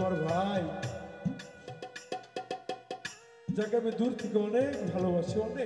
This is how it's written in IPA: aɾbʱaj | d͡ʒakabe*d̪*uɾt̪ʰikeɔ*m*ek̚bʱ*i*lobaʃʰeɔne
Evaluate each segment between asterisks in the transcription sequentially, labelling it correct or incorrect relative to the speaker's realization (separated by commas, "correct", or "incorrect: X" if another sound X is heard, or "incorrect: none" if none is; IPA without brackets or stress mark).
correct, incorrect: n, incorrect: a